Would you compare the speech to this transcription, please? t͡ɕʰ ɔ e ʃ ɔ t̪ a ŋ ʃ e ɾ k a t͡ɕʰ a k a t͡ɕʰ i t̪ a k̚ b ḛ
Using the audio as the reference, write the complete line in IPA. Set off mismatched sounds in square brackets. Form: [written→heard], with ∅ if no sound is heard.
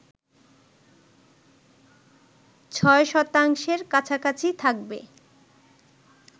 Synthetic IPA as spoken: t͡ɕʰ ɔ e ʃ ɔ t̪ a ŋ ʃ e ɾ k a t͡ɕʰ a k a t͡ɕʰ i [t̪→t̪ʰ] a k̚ b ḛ